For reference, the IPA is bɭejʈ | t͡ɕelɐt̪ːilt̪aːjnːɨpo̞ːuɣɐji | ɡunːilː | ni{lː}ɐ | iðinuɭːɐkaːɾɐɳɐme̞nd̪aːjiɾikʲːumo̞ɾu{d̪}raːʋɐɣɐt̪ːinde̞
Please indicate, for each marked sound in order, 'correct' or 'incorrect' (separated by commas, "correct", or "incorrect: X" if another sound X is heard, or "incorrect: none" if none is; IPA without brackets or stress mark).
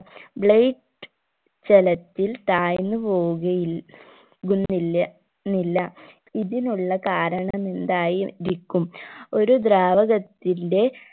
correct, correct